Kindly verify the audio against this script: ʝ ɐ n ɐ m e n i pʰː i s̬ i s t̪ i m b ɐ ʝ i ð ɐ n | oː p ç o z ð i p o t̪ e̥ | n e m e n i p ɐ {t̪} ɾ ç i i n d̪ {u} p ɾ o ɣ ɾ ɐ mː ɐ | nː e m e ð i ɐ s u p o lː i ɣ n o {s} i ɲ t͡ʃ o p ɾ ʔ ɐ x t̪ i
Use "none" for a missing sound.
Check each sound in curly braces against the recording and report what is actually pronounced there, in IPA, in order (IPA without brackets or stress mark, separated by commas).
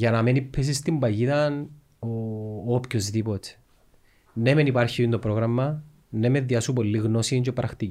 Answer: none, o, s